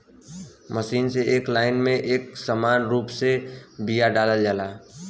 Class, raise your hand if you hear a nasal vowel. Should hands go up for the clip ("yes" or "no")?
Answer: yes